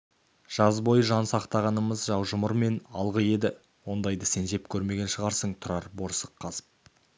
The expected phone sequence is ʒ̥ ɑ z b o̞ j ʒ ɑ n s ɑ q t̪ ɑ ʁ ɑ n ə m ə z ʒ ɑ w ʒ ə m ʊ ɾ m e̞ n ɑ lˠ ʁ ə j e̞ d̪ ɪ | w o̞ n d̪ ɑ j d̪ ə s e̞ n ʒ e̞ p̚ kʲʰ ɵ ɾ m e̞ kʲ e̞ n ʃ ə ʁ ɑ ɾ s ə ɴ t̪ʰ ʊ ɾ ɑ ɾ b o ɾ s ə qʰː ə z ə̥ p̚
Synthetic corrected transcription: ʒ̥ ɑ z b o̞ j ʒ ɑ n s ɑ q t̪ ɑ ʁ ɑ n ə m ə z ʒ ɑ w ʒ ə m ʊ ɾ m e̞ n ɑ lˠ ʁ ə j e̞ d̪ ɪ | w o̞ n d̪ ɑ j d̪ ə s e̞ n ʒ e̞ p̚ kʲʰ ɵ ɾ m e̞ ɡʲ e̞ n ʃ ə ʁ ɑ ɾ s ə ɴ t̪ʰ ʊ ɾ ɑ ɾ b o ɾ s ə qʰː ɑ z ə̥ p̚